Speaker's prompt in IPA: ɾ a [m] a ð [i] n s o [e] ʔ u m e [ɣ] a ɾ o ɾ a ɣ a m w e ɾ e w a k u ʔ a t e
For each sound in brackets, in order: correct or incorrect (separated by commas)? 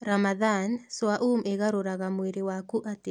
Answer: correct, incorrect, incorrect, correct